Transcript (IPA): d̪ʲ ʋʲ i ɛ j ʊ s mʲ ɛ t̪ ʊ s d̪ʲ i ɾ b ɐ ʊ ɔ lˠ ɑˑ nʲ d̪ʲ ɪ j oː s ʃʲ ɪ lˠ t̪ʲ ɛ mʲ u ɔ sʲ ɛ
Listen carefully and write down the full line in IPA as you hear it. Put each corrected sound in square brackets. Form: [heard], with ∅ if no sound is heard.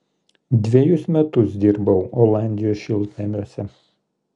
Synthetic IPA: d̪ʲ ʋʲ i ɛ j ʊ s mʲ ɛ t̪ ʊ s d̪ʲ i ɾ b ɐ ʊ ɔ lˠ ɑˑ nʲ d̪ʲ ɪ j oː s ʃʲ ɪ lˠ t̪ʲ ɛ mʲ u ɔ sʲ ɛ